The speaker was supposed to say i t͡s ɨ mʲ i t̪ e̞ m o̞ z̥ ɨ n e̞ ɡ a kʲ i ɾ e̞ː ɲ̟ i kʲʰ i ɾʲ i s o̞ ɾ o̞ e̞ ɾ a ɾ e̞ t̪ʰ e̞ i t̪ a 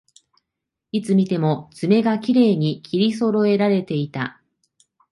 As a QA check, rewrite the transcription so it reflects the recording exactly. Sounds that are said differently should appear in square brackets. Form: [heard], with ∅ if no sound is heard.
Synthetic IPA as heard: i t͡s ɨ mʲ i t̪ e̞ m o̞ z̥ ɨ [m] e̞ ɡ a kʲ i ɾ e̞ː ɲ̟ i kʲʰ i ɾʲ i s o̞ ɾ o̞ e̞ ɾ a ɾ e̞ [t̪] e̞ i t̪ a